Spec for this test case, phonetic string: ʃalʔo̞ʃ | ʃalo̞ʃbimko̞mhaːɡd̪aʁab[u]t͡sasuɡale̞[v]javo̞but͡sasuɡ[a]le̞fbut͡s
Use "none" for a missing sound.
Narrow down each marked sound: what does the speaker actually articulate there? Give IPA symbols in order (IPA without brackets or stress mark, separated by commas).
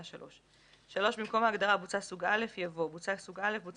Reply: u, f, a